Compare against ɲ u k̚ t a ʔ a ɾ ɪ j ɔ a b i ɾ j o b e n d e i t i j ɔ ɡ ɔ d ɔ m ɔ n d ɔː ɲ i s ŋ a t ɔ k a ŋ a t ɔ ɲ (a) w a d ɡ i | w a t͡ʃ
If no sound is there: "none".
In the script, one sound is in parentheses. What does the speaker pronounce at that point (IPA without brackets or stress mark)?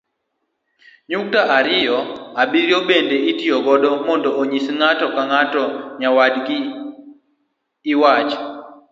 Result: a